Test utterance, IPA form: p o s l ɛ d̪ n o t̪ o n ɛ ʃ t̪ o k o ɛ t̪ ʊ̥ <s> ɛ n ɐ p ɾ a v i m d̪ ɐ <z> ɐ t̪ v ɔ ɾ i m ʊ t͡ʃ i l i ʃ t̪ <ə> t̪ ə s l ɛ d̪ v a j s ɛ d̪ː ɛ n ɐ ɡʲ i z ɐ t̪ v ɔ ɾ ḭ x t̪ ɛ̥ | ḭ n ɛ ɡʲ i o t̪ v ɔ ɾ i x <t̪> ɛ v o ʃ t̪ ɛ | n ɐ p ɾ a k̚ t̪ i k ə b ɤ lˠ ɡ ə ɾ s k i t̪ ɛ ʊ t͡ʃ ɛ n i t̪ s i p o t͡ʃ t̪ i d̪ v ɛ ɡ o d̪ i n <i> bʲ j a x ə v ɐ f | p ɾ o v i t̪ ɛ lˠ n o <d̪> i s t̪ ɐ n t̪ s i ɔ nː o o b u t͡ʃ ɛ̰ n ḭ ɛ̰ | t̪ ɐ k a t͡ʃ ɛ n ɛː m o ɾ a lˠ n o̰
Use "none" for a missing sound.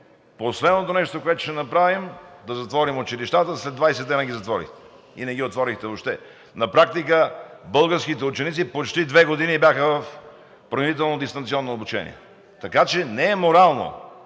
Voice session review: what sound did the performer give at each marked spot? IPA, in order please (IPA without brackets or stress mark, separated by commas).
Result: ʃ, z, a, t̪, i, d̪